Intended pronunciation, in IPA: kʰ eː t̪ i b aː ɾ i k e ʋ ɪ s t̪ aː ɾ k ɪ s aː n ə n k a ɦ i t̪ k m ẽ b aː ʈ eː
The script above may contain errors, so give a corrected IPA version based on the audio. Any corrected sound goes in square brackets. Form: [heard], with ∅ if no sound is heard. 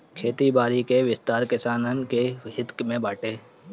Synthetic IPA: kʰ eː t̪ i b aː ɾ i k e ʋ ɪ s t̪ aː ɾ k ɪ s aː n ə n k [e] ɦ [ɪ] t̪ k m ẽ b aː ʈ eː